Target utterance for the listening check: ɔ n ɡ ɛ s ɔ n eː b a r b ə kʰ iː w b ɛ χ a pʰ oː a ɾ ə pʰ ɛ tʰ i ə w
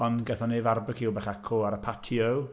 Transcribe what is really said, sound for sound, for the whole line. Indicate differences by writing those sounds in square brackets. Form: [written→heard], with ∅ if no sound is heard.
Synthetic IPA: ɔ n ɡ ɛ [s→θ] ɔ n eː [b→v] a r b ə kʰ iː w b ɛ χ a [pʰ→kʰ] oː a ɾ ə pʰ [ɛ→a] tʰ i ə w